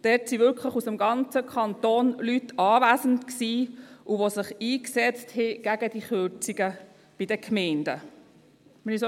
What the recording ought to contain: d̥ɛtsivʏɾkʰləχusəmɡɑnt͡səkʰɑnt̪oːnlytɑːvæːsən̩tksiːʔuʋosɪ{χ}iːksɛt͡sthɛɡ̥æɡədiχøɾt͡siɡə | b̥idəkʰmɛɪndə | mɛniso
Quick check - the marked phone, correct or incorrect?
correct